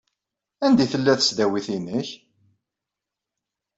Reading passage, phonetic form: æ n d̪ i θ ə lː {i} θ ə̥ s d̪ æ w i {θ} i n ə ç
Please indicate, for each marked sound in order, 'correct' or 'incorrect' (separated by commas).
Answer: incorrect, correct